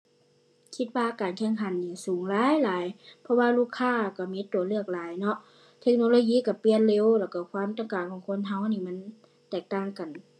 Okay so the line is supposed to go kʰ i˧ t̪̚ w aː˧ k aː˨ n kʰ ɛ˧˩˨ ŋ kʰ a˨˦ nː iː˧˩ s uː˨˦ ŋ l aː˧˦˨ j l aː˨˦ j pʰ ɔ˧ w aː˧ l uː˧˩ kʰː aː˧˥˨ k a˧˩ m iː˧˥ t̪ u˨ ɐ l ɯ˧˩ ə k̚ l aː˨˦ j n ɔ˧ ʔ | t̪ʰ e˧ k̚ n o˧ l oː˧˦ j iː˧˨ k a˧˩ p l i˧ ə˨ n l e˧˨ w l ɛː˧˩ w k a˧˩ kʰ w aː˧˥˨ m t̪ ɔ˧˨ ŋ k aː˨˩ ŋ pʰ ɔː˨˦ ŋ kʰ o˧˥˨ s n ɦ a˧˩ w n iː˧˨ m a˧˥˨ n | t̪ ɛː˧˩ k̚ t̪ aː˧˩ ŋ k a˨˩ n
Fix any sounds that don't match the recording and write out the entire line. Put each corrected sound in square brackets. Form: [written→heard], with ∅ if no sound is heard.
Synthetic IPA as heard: kʰ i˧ t̪̚ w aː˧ k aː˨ n kʰ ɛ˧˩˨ ŋ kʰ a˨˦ nː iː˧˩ s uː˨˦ ŋ l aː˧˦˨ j l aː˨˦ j pʰ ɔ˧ w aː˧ l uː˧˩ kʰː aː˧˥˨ k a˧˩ m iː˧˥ t̪ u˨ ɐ l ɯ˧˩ ə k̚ l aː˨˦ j n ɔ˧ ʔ | t̪ʰ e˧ k̚ n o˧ l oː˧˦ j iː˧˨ k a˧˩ p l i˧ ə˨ n l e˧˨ w l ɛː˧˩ w k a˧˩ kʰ w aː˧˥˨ m t̪ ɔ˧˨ ŋ k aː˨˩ ŋ [pʰ→kʰ] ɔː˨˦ ŋ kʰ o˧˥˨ [s→∅] n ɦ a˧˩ w n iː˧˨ m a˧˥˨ n | t̪ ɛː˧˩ k̚ t̪ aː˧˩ ŋ k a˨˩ n